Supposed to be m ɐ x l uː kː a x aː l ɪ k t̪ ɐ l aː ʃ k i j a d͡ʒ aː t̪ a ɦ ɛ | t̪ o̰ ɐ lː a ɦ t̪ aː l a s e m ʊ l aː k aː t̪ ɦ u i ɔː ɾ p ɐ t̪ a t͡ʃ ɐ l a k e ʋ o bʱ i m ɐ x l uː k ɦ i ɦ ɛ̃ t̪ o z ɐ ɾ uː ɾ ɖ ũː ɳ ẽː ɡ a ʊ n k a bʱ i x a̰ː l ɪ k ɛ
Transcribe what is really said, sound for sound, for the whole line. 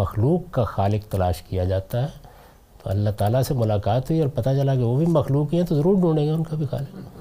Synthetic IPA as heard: m ɐ x l uː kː a x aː l ɪ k t̪ ɐ l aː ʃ k i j a d͡ʒ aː t̪ a ɦ ɛ | t̪ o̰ ɐ lː a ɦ t̪ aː l a s e m ʊ l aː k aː t̪ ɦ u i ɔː ɾ p ɐ t̪ a t͡ʃ ɐ l a k e ʋ o bʱ i m ɐ x l uː k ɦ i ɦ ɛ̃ t̪ o z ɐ ɾ uː ɾ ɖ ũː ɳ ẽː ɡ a ʊ n k a bʱ i x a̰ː l ɪ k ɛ